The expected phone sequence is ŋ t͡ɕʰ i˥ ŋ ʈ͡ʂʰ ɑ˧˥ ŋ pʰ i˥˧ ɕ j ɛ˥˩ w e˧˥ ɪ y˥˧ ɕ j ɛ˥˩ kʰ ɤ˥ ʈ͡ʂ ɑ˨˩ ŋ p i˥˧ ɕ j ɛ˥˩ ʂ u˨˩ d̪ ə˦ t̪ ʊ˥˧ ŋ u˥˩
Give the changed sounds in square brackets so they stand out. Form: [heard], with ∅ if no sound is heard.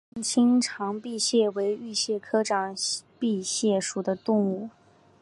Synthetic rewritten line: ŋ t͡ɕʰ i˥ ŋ ʈ͡ʂʰ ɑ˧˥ ŋ [p] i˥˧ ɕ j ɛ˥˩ w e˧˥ ɪ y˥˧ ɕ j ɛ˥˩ kʰ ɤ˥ ʈ͡ʂ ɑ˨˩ ŋ p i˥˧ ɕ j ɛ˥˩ ʂ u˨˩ d̪ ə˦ t̪ ʊ˥˧ ŋ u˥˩